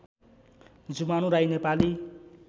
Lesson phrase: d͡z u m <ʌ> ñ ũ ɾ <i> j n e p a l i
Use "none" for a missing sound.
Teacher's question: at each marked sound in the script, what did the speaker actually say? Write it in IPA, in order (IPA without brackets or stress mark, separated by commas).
a, a